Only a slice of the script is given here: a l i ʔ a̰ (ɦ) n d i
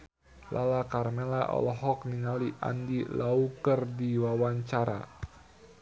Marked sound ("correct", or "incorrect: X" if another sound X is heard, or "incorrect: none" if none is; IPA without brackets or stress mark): incorrect: none